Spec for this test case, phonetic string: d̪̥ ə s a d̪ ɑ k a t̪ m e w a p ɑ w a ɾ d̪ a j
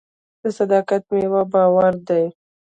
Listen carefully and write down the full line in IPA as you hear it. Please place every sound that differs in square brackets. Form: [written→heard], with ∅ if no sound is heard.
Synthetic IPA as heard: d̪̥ ə s a d̪ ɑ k a t̪ m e w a [p→b] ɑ w a ɾ d̪ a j